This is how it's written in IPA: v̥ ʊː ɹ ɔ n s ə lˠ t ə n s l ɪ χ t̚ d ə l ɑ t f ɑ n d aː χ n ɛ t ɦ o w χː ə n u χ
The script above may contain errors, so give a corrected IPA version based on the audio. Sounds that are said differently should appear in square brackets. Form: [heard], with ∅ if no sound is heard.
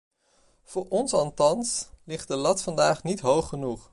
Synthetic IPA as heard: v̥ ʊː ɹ ɔ n s [ɑ] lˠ t [ɑ] n s l ɪ χ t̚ d ə l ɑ t f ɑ n d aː χ n [i] t ɦ o w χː ə n u χ